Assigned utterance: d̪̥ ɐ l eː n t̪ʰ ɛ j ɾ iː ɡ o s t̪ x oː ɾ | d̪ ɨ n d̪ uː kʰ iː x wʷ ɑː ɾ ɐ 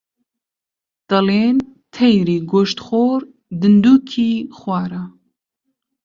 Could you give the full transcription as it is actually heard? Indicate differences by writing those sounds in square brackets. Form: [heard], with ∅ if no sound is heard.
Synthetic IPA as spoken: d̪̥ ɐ l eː n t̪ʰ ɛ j ɾ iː ɡ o [ʃ] t̪ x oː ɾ | d̪ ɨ n d̪ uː kʰ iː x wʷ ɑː ɾ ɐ